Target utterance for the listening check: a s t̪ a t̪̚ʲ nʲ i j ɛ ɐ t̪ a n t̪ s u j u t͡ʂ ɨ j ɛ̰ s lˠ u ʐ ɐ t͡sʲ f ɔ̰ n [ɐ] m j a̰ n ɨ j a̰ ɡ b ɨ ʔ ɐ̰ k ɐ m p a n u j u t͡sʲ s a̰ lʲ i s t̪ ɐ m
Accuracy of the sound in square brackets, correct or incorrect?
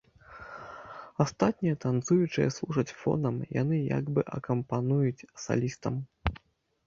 correct